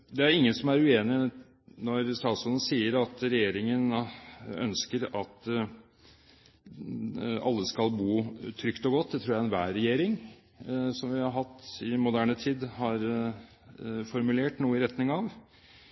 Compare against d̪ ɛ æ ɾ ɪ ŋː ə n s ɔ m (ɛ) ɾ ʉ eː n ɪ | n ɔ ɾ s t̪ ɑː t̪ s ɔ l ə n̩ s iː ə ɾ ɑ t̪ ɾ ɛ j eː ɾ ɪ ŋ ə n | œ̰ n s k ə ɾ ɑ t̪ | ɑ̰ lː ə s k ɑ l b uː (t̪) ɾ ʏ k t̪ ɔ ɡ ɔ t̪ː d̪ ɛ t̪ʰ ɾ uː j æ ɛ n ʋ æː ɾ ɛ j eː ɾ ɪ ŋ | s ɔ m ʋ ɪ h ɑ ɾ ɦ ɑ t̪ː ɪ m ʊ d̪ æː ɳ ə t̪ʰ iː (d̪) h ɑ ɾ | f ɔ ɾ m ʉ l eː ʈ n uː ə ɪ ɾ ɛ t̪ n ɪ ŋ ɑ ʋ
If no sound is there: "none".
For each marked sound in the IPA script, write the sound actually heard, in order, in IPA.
æ, t̪ʰ, d̪

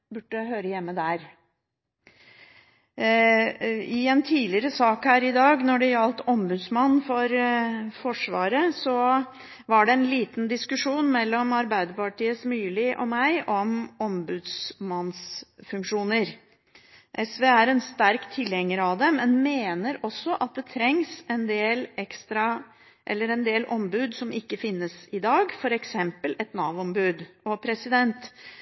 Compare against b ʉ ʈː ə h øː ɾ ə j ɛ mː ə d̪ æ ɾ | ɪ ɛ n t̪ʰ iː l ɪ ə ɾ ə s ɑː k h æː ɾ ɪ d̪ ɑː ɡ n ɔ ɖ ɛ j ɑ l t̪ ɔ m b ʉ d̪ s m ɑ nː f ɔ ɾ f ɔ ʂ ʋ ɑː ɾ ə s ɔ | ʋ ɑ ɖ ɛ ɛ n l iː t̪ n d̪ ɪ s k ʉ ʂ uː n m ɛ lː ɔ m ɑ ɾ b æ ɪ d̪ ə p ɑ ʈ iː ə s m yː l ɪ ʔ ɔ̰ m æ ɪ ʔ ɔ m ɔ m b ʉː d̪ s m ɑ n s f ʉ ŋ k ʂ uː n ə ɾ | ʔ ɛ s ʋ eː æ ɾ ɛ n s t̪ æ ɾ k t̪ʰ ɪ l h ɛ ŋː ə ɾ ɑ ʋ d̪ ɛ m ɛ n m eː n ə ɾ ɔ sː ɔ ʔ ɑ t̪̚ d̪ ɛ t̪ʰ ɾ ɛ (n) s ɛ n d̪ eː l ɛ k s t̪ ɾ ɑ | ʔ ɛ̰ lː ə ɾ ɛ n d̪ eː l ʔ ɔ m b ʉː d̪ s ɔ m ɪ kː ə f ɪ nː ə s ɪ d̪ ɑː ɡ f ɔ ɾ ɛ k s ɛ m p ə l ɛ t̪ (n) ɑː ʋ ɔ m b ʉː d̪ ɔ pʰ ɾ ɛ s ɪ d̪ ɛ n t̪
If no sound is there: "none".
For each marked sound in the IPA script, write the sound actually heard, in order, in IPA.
ŋ, n

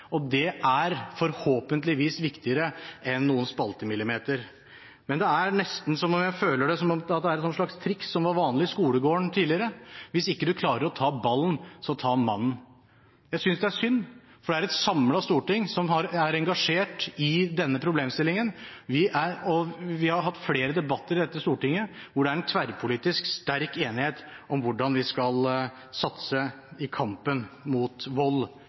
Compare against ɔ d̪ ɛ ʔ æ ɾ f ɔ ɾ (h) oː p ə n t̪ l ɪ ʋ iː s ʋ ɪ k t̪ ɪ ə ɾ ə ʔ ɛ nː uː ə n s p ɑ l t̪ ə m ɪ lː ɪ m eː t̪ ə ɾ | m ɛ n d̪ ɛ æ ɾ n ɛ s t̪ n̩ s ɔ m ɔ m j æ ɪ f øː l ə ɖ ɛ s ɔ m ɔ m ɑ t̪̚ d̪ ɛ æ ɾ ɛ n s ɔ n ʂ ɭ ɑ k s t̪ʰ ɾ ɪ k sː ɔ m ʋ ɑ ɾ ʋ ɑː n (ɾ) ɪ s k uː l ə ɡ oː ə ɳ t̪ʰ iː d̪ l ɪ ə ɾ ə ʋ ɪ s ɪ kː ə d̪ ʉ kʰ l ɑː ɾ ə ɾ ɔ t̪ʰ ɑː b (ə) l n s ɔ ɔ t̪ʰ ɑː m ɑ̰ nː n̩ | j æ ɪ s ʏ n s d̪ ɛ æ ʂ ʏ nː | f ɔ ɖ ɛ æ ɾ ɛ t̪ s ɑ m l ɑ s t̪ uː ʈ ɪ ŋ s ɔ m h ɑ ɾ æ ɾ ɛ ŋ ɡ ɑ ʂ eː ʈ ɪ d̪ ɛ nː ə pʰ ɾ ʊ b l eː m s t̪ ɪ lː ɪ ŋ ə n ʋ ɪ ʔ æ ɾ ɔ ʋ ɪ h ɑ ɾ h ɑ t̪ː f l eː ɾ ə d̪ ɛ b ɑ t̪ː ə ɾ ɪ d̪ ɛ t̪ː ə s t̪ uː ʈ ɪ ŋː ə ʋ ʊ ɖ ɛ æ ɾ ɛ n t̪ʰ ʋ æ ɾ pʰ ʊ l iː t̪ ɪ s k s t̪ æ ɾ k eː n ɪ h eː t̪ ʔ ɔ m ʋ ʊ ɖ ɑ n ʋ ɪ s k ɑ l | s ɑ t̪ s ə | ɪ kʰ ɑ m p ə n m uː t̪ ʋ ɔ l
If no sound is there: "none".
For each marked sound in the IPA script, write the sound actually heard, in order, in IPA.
h, l, ɑ

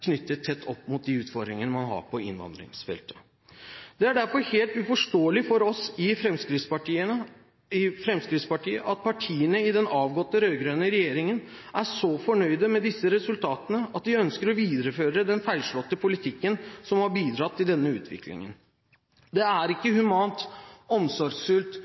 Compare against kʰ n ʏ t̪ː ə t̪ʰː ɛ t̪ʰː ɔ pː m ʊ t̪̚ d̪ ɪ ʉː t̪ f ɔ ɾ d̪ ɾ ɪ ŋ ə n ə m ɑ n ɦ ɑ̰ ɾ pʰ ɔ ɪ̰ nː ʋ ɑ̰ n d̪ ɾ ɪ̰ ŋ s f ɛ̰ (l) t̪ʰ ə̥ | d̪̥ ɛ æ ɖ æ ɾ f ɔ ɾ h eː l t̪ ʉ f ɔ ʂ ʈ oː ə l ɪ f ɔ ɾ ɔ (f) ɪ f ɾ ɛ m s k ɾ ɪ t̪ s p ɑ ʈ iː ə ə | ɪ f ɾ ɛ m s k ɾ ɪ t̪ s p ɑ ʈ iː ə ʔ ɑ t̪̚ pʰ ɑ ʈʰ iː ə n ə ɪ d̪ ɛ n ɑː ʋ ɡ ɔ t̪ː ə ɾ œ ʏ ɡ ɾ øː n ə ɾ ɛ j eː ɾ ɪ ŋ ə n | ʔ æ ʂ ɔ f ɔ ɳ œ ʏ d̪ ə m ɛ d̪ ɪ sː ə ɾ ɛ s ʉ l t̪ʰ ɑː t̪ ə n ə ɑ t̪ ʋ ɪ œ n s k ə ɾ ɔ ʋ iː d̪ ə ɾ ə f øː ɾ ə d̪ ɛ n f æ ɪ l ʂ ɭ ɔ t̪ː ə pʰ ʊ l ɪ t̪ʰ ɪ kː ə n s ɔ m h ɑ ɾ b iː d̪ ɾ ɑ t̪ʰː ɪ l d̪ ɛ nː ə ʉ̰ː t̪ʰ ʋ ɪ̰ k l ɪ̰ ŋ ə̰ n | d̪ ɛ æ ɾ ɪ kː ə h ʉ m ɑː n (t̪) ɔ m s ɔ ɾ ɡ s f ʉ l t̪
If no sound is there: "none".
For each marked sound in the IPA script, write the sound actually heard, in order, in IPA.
l, s, t̪

